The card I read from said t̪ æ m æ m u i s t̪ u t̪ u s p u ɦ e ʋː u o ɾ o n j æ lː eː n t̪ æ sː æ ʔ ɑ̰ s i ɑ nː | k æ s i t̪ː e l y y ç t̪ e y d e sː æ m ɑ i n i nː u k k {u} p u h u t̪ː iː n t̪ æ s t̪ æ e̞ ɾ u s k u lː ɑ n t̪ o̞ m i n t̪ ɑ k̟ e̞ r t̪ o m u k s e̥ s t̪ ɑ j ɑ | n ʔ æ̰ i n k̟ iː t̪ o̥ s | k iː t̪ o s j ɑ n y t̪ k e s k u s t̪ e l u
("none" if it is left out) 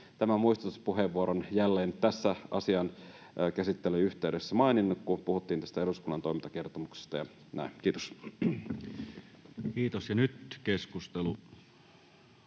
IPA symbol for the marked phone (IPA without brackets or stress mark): u